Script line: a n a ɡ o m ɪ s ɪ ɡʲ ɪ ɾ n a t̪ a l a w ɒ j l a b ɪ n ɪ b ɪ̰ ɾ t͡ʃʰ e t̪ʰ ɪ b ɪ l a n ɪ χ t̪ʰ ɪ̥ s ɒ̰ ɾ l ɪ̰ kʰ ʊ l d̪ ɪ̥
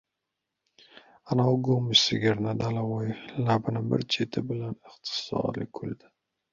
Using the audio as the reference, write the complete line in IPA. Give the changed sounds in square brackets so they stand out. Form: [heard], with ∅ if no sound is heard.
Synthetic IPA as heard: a n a ɡ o m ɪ s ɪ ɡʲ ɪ ɾ n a [d̪] a l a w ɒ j l a b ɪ n ɪ b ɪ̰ ɾ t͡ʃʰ e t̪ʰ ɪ b ɪ l a n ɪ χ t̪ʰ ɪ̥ s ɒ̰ ɾ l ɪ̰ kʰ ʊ l d̪ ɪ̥